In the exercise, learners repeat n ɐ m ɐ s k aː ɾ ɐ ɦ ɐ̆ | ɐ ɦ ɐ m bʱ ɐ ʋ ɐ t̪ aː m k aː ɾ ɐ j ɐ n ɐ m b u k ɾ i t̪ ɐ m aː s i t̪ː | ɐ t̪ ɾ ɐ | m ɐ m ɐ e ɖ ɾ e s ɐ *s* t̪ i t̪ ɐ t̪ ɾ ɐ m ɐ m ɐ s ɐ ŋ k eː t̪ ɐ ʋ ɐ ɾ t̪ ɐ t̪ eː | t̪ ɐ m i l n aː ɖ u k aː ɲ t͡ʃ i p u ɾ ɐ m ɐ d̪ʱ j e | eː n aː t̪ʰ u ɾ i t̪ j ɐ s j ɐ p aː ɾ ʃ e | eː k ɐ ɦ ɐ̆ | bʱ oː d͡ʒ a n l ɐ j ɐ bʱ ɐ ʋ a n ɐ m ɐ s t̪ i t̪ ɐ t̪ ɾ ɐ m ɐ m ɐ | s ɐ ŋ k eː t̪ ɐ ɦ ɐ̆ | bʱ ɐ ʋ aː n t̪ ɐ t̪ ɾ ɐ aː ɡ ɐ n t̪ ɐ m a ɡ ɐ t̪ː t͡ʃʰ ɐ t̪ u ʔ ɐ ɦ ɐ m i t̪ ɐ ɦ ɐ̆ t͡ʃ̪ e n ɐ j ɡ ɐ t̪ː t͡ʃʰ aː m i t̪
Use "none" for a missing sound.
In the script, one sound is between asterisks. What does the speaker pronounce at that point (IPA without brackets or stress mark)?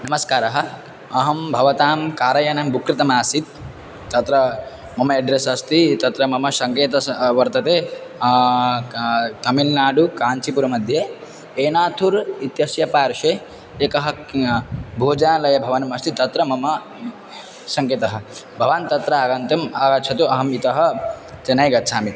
s